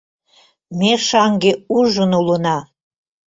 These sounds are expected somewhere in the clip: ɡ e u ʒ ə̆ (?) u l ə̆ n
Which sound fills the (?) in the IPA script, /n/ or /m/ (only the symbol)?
n